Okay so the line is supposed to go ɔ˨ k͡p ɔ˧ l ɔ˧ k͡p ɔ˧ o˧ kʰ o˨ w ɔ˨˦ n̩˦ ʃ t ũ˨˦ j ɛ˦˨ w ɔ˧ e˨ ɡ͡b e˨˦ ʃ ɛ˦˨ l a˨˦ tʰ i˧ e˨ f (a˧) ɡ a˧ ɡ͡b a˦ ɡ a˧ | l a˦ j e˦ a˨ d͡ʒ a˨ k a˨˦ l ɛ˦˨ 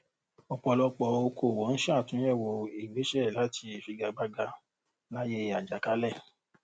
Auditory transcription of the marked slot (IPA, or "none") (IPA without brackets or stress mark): i˧